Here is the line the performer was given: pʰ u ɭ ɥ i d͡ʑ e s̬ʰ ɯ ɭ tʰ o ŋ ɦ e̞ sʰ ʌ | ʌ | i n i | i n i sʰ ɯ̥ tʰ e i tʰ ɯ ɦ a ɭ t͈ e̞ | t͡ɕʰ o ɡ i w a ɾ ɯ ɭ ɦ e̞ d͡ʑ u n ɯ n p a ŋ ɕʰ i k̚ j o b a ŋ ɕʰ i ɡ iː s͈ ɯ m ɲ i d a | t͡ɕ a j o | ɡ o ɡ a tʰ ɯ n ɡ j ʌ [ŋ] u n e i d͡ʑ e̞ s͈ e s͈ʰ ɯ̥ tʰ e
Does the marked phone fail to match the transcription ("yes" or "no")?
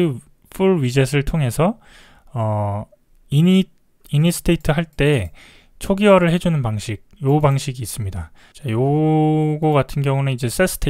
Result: no